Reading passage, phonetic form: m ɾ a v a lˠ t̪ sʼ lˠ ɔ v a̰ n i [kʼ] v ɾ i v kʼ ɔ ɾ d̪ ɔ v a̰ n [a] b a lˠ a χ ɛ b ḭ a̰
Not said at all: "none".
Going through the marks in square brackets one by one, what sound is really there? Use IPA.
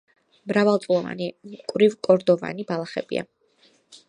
kʼ, i

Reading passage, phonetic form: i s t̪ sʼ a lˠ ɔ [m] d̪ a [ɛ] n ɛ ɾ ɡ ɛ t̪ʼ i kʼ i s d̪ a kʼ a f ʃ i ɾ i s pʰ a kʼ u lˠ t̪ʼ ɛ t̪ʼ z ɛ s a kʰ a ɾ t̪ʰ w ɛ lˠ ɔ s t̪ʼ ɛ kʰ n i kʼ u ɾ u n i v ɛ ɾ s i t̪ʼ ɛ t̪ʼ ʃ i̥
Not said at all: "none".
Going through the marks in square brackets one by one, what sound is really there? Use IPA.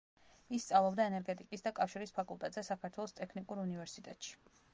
b, ɛ

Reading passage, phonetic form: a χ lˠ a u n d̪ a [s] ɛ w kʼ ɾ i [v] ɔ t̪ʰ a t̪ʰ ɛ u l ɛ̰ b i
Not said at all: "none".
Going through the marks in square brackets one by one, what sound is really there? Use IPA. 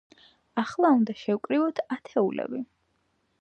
ʃ, v

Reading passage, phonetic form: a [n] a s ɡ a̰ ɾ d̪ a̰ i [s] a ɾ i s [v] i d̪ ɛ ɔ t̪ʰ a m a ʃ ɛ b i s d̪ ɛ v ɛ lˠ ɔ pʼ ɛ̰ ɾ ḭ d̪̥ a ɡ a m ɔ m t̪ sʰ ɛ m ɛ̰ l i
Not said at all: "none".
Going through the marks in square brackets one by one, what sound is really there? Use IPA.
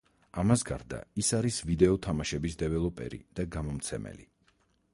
m, s, v

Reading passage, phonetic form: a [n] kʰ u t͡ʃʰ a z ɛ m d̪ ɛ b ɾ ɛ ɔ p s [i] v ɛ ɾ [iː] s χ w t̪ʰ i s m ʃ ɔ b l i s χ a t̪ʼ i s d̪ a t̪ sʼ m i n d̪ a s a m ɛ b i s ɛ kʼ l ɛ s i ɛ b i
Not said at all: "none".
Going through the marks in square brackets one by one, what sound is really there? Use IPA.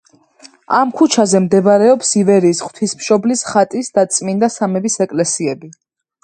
m, i, iː

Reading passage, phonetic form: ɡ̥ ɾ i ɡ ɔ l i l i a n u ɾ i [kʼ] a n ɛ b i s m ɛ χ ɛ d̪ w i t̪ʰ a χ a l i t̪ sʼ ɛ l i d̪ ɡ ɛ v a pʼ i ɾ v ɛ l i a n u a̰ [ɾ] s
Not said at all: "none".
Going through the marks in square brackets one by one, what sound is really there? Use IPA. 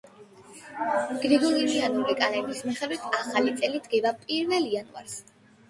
kʼ, ɾ

